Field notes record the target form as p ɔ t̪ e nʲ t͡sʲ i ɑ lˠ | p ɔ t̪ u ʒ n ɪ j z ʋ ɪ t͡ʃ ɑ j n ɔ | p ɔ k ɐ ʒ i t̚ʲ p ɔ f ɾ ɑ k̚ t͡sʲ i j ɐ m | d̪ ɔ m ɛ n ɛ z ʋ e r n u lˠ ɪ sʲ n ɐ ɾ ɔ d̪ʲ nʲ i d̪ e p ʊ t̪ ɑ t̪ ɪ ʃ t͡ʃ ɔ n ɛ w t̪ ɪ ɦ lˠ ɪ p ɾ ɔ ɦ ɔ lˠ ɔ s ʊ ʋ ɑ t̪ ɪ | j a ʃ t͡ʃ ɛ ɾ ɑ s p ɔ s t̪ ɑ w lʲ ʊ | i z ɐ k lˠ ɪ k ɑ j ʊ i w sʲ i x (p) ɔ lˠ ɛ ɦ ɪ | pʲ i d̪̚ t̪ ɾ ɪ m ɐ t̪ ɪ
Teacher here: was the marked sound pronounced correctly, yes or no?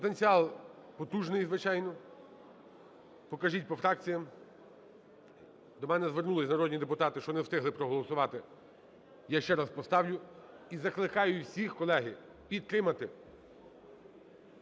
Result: no